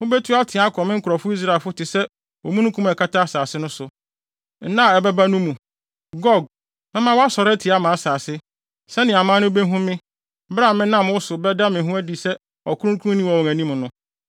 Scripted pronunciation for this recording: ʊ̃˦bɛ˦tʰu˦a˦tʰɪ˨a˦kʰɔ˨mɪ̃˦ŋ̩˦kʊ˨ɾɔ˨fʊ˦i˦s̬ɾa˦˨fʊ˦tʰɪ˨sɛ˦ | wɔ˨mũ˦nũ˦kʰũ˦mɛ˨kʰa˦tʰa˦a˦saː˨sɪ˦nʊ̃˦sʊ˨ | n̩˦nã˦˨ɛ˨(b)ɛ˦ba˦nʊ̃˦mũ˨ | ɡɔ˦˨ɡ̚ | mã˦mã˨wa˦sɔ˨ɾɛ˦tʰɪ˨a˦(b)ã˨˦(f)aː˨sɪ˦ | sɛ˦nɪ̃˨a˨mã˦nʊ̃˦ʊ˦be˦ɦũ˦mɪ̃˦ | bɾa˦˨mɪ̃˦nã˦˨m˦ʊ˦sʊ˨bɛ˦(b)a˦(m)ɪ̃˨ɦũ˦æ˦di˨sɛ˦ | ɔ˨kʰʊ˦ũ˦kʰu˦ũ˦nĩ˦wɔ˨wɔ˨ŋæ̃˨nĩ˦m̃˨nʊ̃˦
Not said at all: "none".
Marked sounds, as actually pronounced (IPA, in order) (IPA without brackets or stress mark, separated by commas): b, m, s, d, m